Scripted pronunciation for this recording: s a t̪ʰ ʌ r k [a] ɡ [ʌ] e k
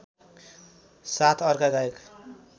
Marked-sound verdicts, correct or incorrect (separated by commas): correct, incorrect